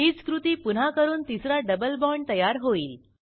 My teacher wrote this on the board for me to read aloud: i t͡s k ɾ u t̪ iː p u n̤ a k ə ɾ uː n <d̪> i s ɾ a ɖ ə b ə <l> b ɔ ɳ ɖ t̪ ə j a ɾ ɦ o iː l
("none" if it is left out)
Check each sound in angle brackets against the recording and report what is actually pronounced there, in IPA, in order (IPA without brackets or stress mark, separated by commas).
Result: t̪, l